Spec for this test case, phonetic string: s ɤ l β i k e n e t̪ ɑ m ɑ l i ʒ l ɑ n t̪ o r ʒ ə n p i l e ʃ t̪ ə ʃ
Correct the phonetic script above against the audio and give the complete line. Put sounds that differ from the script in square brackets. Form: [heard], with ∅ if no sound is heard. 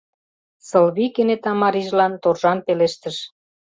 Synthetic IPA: s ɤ l β i k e n e t̪ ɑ m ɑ [ɾ] i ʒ l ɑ n t̪ o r ʒ [ɑ] n p [e] l e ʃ t̪ ə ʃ